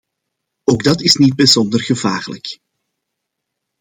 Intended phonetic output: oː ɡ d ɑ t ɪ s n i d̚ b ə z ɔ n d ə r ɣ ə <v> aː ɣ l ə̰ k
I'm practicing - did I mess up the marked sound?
no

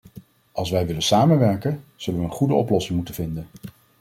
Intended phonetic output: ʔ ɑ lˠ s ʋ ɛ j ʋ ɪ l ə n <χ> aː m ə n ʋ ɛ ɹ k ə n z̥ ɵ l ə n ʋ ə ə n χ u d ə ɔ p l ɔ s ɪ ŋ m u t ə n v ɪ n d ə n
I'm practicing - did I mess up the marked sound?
yes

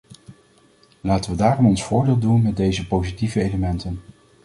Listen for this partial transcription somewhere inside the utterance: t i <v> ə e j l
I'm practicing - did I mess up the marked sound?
no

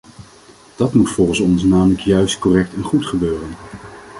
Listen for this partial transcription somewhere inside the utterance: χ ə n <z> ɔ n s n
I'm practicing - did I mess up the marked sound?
yes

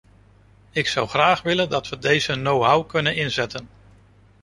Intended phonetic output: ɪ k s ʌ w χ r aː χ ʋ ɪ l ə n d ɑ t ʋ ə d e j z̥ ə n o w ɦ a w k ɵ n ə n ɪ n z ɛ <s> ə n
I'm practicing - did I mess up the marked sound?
yes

